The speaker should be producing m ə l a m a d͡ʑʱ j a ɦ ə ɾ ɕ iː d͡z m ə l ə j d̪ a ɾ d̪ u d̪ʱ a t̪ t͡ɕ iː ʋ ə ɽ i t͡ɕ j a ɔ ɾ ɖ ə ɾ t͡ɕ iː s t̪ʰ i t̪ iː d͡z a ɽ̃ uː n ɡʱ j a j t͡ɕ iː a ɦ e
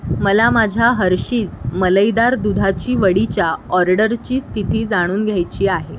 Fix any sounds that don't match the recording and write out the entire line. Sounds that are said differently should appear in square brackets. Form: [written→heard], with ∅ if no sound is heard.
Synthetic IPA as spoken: m ə l a m a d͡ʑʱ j a ɦ ə ɾ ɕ iː d͡z m ə l ə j d̪ a ɾ d̪ u d̪ʱ a [t̪→∅] t͡ɕ iː ʋ ə ɽ i t͡ɕ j a ɔ ɾ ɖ ə ɾ t͡ɕ iː s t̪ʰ i t̪ iː d͡z a ɽ̃ uː n ɡʱ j a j t͡ɕ iː a ɦ e